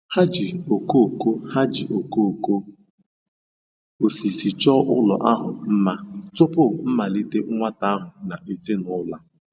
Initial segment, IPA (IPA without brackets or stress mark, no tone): h